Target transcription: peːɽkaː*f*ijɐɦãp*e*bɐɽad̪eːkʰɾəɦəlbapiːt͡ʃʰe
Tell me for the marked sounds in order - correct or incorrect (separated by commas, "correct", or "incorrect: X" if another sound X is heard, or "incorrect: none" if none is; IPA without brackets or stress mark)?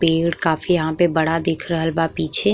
correct, correct